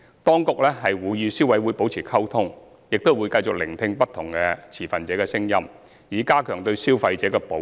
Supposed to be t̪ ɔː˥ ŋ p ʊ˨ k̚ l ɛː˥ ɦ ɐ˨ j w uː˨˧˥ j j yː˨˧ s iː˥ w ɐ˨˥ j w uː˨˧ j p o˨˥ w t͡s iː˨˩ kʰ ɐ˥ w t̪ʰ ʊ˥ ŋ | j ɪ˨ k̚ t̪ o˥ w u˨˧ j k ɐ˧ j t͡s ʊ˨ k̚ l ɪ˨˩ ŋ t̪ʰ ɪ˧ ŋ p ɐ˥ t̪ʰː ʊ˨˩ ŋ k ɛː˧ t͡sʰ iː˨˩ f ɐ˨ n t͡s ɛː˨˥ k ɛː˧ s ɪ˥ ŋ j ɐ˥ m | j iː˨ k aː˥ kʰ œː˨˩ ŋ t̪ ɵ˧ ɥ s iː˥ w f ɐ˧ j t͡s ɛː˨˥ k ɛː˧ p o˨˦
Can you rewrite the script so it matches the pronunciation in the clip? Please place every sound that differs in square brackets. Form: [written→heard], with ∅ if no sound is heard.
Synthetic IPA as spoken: t̪ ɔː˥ ŋ [p→k] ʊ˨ k̚ l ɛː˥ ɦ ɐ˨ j w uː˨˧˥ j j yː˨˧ s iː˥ w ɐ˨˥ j w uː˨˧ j p o˨˥ w [t͡s→t͡sʰ] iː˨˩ kʰ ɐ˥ w t̪ʰ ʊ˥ ŋ | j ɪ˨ k̚ t̪ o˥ w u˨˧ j k ɐ˧ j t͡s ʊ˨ k̚ l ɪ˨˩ ŋ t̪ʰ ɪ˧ ŋ p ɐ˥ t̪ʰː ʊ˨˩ ŋ k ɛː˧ t͡sʰ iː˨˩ f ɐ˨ n t͡s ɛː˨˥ k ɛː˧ s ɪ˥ ŋ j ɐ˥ m | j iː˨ k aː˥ kʰ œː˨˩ ŋ t̪ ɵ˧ ɥ s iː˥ w f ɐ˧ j t͡s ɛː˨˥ k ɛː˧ p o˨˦